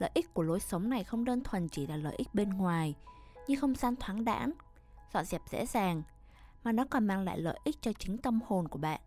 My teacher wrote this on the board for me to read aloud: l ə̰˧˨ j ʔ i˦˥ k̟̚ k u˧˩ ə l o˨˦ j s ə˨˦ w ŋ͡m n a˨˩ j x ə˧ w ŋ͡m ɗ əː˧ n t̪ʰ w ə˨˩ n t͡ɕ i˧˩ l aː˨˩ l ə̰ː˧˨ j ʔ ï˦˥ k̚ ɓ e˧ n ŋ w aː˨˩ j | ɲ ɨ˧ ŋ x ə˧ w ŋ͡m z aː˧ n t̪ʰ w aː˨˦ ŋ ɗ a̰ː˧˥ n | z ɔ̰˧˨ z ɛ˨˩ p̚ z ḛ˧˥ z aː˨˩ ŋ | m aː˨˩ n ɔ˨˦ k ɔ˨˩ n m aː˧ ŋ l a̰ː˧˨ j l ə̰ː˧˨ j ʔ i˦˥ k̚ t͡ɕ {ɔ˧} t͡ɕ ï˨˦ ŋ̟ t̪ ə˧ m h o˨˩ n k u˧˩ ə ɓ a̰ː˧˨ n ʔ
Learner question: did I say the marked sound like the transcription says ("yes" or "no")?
yes